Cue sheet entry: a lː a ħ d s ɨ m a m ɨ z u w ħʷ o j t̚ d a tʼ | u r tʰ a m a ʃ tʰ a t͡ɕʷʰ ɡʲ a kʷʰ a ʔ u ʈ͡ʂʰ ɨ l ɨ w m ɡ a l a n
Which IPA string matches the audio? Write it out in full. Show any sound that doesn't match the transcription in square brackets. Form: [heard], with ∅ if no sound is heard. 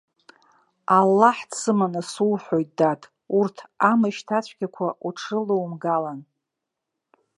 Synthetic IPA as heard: a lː a ħ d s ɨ m a [n] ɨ [s] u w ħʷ o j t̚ d a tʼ | u r tʰ a m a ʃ tʰ a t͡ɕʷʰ ɡʲ a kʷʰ a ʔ u ʈ͡ʂʰ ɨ l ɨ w m ɡ a l a n